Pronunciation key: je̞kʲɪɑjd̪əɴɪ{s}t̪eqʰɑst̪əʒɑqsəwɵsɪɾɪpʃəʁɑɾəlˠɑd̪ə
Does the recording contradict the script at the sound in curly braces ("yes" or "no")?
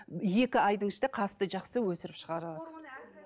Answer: yes